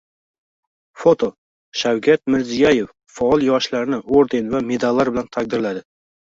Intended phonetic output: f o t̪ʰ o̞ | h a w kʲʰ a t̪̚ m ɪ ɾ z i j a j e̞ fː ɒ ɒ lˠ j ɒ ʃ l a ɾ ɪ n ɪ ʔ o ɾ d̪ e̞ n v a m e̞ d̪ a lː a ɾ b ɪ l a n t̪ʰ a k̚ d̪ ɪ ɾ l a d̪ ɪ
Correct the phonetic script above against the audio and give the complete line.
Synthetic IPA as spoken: f o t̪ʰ o̞ | ʃ a w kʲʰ a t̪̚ m ɪ ɾ z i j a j e̞ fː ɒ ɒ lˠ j ɒ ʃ l a ɾ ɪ n ɪ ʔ o ɾ d̪ e̞ n v a m e̞ d̪ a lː a ɾ b ɪ l a n t̪ʰ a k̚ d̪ ɪ ɾ l a d̪ ɪ